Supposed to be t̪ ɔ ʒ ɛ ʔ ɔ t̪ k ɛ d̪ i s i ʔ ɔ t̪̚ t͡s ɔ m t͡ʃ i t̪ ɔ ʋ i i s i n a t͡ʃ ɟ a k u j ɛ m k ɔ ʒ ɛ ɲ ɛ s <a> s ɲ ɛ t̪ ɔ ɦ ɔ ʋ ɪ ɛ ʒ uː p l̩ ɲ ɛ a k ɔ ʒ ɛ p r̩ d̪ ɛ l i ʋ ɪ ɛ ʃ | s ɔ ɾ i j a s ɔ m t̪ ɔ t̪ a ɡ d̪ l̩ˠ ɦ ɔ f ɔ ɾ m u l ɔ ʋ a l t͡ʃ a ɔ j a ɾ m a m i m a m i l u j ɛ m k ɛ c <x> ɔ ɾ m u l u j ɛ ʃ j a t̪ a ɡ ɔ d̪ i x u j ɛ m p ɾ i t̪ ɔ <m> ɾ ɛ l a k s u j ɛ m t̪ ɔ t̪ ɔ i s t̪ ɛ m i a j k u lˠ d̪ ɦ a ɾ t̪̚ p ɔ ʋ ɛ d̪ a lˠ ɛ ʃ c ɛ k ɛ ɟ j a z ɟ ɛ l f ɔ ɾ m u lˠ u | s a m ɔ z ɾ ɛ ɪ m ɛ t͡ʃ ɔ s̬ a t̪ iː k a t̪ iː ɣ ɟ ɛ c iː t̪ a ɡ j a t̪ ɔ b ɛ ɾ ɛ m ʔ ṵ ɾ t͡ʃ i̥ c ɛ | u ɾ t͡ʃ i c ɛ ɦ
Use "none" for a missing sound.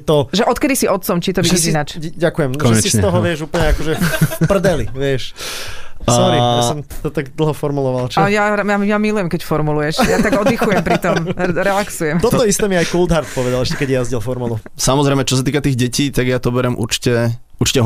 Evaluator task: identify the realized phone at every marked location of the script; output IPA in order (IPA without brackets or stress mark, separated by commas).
i, f, m